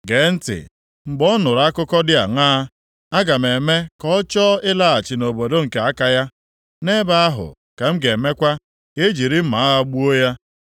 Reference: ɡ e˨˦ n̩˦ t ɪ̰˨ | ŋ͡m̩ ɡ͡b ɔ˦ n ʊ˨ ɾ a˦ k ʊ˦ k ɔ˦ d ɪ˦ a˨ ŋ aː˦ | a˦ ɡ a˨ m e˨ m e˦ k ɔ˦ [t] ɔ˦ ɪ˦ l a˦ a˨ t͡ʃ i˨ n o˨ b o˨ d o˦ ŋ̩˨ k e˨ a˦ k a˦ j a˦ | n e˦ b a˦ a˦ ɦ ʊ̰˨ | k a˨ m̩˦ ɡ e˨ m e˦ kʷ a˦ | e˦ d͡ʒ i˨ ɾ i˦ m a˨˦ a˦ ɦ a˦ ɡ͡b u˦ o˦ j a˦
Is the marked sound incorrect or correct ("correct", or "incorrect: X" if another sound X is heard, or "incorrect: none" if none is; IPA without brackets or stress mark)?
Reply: incorrect: t͡ʃ